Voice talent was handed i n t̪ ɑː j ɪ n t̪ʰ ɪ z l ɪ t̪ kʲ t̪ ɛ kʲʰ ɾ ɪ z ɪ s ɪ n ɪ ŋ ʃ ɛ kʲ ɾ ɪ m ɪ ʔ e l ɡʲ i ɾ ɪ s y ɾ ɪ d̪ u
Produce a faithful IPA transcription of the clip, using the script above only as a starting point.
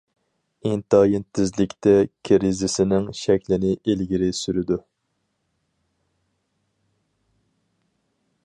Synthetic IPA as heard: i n t̪ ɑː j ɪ n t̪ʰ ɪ z l ɪ kʲ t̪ ɛ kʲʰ ɾ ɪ z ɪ s ɪ n ɪ ŋ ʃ ɛ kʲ l ɪ n ɪ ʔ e l ɡʲ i ɾ ɪ s y ɾ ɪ d̪ u